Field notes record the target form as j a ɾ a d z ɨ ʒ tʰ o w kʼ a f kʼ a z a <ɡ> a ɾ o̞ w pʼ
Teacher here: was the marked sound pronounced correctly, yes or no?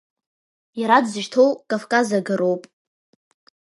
yes